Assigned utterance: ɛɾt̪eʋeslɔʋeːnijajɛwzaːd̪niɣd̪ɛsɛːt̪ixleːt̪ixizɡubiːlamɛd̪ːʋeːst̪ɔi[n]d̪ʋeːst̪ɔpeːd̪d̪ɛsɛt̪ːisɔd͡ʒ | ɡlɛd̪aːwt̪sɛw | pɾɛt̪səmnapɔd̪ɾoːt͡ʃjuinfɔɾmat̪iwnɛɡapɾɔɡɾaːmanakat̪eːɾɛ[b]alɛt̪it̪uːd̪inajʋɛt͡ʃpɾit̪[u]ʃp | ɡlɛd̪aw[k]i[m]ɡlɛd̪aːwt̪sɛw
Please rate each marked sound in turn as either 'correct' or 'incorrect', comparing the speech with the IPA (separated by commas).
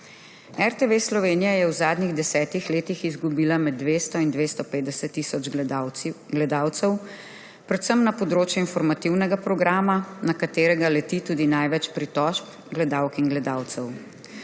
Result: correct, incorrect, incorrect, correct, incorrect